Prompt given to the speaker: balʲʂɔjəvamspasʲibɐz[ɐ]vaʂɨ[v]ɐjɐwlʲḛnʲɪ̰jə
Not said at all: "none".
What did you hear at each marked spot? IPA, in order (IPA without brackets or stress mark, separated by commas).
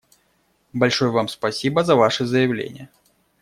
ɐ, z